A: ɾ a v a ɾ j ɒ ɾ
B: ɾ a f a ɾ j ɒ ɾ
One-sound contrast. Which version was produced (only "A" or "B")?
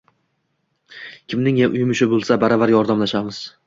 A